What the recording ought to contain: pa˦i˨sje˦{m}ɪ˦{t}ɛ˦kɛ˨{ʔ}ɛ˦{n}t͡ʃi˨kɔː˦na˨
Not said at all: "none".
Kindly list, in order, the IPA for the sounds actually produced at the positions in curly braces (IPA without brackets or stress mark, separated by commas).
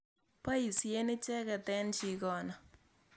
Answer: n, t͡ʃ, t, n